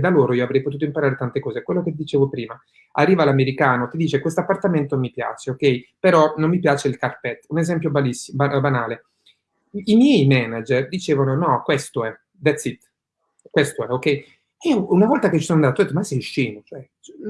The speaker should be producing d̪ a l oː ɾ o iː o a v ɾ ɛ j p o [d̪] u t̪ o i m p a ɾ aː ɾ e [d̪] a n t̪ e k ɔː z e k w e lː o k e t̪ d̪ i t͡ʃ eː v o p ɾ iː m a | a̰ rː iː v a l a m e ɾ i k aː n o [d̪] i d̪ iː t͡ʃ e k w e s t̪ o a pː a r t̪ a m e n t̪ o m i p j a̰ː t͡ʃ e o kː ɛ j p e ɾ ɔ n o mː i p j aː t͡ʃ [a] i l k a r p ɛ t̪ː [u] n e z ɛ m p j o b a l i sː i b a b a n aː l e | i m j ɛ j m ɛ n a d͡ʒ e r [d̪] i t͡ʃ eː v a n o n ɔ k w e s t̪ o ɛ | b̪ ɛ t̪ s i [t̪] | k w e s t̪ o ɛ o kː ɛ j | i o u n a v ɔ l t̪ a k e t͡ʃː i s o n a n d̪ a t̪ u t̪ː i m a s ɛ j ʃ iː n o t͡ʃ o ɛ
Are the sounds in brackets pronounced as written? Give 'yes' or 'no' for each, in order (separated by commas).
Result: no, no, no, no, yes, yes, yes